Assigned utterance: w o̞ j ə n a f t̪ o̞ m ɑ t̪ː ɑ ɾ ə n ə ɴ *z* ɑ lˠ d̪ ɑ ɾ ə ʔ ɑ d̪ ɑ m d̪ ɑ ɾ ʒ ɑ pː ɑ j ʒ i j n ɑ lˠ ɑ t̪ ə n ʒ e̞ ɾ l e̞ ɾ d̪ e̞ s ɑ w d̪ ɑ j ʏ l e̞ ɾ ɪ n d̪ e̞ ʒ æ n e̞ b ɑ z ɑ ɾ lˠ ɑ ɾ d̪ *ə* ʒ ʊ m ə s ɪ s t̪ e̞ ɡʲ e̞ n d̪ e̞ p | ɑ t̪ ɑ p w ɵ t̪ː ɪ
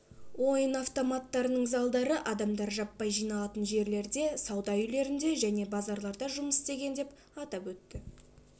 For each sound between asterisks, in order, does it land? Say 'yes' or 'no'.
yes, no

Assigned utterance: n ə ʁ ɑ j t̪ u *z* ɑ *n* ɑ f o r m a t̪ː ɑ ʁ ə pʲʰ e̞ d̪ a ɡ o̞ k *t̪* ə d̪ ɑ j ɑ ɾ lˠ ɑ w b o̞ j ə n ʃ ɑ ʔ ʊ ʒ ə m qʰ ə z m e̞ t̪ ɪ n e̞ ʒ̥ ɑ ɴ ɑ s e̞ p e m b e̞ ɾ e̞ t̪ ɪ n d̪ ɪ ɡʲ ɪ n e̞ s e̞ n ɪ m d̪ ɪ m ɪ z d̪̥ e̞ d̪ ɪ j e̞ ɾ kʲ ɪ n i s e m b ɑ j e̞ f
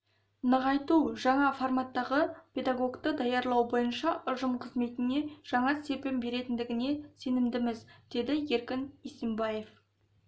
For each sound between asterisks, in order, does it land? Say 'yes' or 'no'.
no, no, yes

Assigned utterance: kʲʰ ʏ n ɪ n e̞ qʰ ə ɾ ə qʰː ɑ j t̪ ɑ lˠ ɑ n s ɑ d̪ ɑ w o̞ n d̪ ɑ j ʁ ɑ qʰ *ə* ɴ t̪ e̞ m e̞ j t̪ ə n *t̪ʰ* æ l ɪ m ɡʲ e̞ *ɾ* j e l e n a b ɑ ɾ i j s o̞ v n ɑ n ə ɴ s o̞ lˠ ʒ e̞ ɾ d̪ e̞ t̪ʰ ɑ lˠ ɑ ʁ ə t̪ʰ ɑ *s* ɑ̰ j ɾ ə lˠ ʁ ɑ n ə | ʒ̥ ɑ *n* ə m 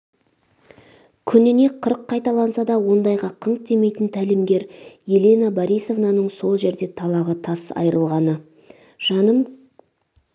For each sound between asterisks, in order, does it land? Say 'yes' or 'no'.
yes, yes, yes, yes, yes

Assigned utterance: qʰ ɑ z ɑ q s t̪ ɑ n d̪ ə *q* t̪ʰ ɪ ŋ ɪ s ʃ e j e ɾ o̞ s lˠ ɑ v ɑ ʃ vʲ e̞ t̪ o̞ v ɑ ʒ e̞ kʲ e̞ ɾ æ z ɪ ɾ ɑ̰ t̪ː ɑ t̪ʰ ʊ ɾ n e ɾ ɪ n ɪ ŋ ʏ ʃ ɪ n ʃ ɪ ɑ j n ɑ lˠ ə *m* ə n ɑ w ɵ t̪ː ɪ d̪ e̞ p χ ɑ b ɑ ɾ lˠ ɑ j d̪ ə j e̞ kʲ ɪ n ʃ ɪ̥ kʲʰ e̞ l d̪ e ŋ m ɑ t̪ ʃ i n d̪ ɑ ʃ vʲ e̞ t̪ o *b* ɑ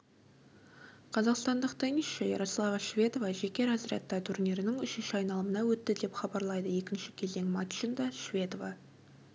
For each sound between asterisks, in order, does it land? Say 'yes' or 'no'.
yes, yes, no

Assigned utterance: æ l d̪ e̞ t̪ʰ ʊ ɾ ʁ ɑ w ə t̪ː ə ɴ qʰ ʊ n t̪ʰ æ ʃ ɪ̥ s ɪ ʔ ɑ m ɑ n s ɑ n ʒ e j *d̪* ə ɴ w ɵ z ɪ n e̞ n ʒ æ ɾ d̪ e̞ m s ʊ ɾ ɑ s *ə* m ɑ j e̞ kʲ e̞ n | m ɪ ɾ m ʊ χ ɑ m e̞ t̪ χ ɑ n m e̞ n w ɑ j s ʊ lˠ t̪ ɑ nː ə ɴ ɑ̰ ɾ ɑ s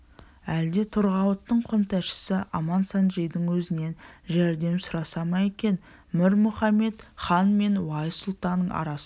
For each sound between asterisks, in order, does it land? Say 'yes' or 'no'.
yes, no

